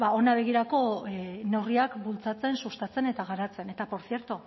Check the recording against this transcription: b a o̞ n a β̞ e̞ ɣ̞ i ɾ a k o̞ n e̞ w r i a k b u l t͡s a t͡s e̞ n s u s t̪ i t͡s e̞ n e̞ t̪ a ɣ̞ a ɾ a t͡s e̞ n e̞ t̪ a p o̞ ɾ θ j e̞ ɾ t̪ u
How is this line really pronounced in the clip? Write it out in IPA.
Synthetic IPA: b a o̞ n a β̞ e̞ ɣ̞ i ɾ a k o̞ n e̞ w r i a k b u l t͡s a t͡s e̞ n s u s t̪ a t͡s e̞ n e̞ t̪ a ɣ̞ a ɾ a t͡s e̞ n e̞ t̪ a p o̞ ɾ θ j e̞ ɾ t̪ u